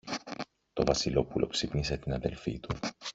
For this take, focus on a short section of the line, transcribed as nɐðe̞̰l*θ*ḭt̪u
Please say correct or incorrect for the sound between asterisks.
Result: incorrect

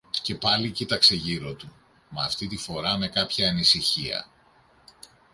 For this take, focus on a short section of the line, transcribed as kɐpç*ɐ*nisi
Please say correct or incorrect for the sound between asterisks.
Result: incorrect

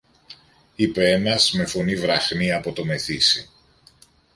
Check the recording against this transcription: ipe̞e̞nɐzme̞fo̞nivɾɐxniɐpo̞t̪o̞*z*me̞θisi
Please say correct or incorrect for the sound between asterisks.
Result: incorrect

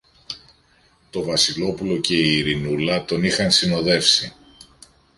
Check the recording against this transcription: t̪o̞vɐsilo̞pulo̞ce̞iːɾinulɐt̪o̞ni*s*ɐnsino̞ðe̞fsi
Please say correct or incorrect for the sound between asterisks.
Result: incorrect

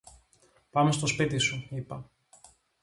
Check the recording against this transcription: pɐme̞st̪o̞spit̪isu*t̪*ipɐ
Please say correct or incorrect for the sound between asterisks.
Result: incorrect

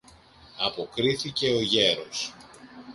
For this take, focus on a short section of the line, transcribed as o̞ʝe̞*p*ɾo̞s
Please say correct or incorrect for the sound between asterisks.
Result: incorrect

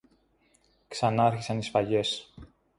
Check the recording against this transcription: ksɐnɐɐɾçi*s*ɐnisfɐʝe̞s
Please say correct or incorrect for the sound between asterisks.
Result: correct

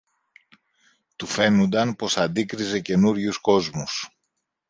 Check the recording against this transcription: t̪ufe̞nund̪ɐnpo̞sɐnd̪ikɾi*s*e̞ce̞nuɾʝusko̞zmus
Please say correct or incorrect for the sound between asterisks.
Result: incorrect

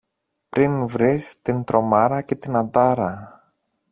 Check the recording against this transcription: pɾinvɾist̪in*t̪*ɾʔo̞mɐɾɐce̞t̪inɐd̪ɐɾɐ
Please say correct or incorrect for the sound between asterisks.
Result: correct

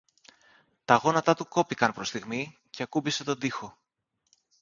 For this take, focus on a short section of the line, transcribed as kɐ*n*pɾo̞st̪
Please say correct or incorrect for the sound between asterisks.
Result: correct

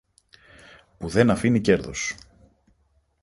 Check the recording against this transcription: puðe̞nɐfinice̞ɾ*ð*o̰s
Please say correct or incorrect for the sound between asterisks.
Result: correct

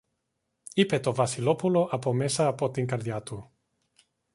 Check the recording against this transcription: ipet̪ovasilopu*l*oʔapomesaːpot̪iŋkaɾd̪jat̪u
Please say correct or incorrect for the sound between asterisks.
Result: correct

